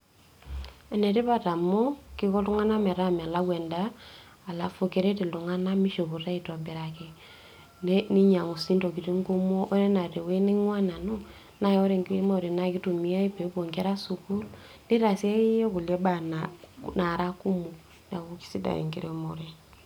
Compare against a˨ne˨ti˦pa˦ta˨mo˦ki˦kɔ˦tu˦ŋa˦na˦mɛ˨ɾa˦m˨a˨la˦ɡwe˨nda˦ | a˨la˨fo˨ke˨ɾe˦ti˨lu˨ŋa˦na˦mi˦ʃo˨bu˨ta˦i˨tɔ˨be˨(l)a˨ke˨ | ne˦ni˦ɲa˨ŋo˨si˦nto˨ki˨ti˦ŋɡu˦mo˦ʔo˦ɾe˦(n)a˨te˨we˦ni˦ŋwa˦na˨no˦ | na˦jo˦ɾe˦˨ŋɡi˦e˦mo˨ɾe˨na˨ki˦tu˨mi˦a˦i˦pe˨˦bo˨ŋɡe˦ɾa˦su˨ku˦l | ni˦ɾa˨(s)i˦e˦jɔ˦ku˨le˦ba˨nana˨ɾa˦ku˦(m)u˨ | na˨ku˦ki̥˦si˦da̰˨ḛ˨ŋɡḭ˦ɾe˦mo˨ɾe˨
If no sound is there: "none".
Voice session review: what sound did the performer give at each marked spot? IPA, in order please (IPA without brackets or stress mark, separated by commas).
ɾ, n, s, m